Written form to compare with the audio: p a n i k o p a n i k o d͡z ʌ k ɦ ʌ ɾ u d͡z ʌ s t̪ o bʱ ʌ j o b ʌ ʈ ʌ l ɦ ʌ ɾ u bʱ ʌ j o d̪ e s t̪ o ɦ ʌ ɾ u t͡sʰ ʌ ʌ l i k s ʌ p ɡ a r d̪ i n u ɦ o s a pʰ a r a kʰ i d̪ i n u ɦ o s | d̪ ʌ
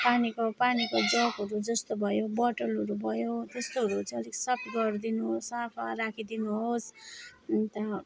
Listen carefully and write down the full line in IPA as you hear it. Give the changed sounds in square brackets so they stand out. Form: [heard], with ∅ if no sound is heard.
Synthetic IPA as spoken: p a n i k o p a n i k o d͡z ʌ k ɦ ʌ ɾ u d͡z ʌ s t̪ o bʱ ʌ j o b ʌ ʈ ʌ l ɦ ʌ ɾ u bʱ ʌ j o [t̪] e s t̪ o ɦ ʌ ɾ u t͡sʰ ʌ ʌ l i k s ʌ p ɡ [ʌ] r d̪ i n u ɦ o s a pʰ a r a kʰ i d̪ i n u ɦ o s | [t̪] ʌ